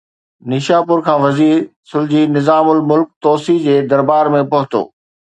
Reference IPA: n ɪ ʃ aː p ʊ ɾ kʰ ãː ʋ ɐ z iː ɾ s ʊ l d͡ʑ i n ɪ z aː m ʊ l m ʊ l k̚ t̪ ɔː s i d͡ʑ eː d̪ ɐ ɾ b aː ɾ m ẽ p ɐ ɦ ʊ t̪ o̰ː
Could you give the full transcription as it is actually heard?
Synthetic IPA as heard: n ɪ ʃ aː p ʊ ɾ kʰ ãː ʋ ɐ z iː ɾ s ʊ l d͡ʑ i n ɪ z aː m ʊ l m ʊ l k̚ t̪ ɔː s i d͡ʑ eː d̪ ɐ ɾ b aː ɾ m ẽ p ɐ ɦ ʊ t̪ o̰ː